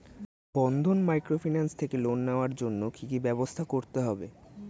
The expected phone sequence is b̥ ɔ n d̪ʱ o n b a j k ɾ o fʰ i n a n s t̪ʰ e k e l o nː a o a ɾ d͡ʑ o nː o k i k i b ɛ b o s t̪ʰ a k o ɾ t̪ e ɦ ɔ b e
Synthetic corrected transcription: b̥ ɔ n d̪ʱ o n m a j k ɾ o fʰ i n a n s t̪ʰ e k e l o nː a o a ɾ d͡ʑ o nː o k i k i b ɛ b o s t̪ʰ a k o ɾ t̪ e ɦ ɔ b e